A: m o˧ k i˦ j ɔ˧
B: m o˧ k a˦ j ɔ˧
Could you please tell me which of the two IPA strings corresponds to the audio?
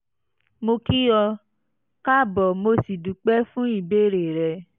A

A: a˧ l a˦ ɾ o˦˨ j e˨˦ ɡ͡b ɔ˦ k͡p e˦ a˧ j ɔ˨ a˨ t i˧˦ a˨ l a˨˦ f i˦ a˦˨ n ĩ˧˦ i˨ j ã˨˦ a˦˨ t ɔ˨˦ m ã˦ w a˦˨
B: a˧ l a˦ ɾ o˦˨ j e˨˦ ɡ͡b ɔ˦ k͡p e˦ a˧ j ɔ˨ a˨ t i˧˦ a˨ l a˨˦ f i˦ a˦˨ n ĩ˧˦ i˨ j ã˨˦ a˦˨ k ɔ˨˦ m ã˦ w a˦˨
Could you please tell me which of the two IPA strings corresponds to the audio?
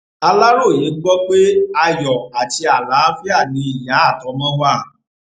A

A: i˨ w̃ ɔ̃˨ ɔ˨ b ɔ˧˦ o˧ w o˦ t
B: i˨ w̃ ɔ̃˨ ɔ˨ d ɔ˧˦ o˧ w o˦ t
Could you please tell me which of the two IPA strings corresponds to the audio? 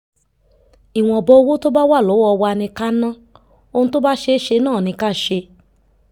A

